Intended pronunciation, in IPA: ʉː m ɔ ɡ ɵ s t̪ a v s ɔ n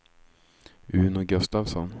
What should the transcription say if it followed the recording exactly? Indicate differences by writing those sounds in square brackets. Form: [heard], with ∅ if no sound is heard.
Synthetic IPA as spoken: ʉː [n] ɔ ɡ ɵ s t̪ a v s ɔ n